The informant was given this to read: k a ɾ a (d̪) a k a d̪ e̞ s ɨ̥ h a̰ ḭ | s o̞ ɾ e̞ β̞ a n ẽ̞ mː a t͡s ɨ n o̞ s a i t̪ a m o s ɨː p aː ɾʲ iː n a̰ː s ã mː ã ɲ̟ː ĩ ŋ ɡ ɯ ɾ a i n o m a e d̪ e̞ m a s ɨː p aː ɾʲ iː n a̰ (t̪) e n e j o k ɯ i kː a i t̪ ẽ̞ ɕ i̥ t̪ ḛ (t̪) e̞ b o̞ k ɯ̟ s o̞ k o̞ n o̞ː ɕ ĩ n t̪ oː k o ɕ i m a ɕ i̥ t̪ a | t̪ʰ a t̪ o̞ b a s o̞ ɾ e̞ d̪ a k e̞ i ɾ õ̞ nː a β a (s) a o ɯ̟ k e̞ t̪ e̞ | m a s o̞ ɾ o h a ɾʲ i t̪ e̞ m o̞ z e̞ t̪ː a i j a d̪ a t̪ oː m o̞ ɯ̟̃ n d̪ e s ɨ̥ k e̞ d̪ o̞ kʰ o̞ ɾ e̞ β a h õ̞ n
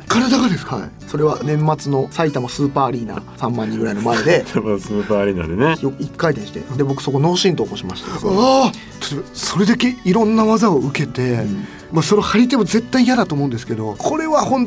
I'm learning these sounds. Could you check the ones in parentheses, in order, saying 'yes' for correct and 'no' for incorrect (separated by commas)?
yes, no, no, no